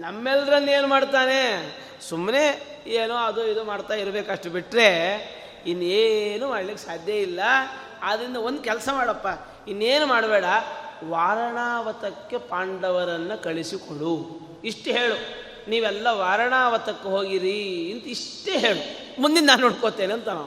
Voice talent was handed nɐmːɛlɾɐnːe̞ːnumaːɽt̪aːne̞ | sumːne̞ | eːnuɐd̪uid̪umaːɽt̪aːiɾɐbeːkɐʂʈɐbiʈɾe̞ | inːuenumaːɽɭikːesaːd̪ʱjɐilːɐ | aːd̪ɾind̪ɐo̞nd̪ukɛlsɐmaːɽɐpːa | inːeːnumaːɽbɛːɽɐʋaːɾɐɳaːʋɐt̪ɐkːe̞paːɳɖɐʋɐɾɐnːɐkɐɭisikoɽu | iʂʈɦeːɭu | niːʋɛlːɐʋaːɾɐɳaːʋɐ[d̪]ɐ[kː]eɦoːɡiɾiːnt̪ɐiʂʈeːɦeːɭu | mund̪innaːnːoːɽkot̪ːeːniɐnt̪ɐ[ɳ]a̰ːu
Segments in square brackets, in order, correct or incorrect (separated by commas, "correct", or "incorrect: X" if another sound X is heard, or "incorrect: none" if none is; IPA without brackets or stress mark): incorrect: t̪, correct, incorrect: n